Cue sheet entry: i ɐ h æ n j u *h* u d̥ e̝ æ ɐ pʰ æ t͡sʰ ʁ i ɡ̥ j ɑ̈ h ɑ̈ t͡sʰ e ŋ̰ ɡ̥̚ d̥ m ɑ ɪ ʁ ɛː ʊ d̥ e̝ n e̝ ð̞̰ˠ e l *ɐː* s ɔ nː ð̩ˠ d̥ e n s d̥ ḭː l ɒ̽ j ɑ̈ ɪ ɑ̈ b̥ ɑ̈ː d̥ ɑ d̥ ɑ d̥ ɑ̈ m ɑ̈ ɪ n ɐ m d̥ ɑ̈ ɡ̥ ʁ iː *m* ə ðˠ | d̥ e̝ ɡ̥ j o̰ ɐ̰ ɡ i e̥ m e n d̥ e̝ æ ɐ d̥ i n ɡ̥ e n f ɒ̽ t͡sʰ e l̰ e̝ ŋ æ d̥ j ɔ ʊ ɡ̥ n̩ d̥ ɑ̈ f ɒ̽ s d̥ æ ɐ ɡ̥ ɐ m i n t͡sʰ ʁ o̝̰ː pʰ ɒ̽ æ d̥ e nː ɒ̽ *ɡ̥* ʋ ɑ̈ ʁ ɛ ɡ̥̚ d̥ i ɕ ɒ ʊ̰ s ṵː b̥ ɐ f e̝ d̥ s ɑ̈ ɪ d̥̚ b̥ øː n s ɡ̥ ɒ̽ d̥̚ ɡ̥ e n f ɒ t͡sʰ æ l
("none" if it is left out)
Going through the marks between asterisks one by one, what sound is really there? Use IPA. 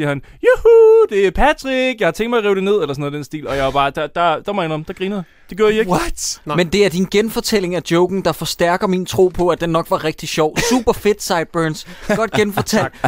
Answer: h, ɐ, n, ɡ̥

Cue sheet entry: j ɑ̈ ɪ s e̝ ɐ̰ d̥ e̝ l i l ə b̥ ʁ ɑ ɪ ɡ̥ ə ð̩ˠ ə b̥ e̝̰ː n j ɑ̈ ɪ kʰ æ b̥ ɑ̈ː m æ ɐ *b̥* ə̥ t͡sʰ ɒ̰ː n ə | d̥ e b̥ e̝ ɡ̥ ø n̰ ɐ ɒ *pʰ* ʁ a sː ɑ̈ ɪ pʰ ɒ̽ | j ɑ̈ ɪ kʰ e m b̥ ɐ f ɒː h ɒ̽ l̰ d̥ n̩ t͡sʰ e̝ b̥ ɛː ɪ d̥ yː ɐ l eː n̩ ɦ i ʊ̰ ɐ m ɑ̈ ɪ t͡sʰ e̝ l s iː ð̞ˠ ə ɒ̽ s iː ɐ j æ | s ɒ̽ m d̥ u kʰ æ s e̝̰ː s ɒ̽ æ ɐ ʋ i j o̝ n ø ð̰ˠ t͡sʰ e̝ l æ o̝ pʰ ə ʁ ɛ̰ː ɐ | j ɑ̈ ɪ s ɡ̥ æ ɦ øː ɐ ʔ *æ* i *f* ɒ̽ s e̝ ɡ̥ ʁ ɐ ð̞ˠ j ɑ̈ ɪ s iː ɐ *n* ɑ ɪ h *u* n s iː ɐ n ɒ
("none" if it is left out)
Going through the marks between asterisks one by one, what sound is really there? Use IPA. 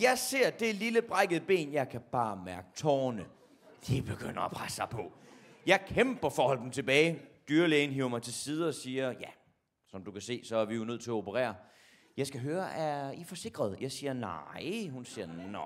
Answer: ɡ̥, pʰ, æ, f, n, u

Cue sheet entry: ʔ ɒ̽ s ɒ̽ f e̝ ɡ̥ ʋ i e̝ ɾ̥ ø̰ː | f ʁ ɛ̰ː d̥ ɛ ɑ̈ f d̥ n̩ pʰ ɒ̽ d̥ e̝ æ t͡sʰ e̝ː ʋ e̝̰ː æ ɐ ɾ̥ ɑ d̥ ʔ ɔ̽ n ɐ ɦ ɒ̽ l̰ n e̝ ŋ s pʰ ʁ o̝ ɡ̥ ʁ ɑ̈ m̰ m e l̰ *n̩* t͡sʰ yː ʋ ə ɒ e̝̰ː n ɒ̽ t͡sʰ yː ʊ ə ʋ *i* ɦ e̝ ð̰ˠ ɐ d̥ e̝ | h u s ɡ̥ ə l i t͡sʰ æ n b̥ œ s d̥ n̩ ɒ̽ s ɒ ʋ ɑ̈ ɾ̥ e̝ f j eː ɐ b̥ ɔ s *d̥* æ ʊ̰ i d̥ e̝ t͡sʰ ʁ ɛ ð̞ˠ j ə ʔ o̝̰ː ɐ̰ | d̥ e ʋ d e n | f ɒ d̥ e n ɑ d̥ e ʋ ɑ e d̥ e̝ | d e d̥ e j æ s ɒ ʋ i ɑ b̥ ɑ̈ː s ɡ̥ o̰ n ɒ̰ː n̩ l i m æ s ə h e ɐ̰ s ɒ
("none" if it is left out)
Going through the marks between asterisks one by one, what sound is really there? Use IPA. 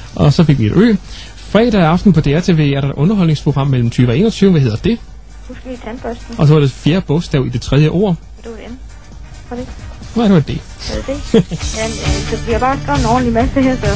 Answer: m̩, æ, d̥

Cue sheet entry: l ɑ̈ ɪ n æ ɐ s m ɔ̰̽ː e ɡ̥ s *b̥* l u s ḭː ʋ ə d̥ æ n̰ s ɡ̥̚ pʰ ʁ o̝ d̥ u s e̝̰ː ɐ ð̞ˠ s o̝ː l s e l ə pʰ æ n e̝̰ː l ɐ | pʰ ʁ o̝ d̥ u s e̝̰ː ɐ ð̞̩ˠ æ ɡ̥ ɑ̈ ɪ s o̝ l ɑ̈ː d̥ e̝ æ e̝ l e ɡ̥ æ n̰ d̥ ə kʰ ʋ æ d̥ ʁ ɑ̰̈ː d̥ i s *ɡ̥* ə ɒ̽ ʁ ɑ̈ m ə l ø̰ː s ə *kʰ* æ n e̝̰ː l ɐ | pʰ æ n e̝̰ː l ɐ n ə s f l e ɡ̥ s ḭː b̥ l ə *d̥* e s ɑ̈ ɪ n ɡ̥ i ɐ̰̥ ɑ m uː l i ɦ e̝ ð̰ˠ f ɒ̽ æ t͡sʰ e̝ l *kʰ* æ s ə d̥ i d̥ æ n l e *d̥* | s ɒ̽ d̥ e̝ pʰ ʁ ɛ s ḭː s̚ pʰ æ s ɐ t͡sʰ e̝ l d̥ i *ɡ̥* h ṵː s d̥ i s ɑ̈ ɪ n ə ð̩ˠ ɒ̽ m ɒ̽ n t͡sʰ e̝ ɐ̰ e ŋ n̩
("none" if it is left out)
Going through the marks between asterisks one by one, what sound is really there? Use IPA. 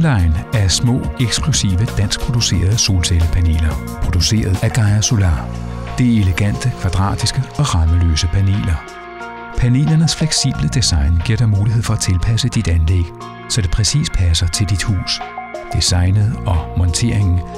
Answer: ɡ̥, ɡ̥, pʰ, d̥, pʰ, ɡ̥, d̥

